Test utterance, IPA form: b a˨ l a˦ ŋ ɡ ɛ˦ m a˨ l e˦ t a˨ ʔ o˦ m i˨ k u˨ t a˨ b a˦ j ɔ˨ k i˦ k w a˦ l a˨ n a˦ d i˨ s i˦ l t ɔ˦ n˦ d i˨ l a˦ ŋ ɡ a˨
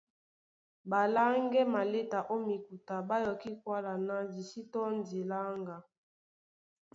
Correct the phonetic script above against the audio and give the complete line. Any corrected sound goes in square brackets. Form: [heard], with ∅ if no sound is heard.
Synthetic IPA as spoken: b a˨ l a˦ ŋ ɡ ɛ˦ m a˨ l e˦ t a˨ ʔ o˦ m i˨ k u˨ t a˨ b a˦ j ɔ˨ k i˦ k w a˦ l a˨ n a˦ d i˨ s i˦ [∅] t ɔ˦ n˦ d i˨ l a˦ ŋ ɡ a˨